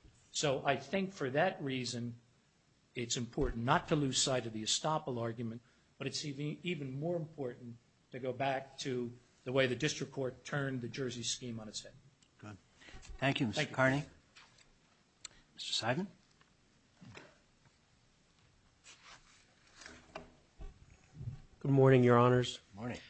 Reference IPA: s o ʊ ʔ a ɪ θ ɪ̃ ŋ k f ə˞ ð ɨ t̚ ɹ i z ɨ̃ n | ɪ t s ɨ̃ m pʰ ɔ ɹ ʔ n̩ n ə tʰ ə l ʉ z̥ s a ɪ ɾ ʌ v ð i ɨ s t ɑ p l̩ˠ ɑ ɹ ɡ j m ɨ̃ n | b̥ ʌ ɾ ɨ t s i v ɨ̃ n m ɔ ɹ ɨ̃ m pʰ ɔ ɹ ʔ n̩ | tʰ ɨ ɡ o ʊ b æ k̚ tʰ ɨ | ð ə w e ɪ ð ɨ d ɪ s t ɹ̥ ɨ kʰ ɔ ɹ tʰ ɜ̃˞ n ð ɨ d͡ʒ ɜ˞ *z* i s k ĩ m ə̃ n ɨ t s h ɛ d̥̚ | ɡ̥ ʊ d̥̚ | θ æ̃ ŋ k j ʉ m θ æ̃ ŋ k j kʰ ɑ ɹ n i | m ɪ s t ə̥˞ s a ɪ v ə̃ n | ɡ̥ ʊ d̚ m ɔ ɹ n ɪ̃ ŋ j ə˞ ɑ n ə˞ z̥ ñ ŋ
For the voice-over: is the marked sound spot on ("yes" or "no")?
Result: yes